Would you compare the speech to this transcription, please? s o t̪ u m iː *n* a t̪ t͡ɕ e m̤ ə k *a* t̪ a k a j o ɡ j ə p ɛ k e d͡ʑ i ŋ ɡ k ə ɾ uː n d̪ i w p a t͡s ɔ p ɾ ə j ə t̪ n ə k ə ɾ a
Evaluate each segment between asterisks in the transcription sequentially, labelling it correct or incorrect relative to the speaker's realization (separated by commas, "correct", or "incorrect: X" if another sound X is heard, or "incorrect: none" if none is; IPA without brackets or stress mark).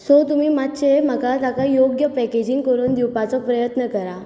incorrect: m, correct